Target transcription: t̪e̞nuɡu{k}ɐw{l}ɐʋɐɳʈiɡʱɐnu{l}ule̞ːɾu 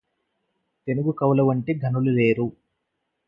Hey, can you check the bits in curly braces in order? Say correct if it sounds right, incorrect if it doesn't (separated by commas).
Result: correct, correct, correct